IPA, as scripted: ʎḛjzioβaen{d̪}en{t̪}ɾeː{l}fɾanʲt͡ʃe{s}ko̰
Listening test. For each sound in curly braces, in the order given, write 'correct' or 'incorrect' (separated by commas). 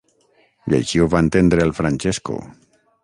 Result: incorrect, incorrect, correct, correct